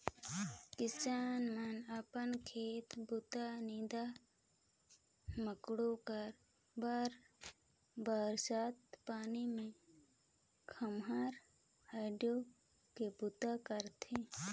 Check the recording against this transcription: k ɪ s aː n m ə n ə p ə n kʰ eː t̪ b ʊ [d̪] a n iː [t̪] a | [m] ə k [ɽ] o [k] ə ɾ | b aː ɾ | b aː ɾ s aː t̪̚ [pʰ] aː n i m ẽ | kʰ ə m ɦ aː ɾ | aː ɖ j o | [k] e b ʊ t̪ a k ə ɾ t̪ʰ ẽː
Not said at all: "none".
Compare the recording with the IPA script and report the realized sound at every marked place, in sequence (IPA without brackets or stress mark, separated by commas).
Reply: t̪, d̪, m, ɽ, k, p, k